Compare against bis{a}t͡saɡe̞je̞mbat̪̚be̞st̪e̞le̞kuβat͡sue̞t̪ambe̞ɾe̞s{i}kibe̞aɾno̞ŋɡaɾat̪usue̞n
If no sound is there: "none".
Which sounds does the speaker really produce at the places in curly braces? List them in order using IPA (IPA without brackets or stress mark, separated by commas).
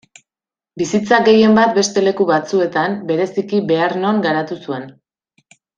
i, i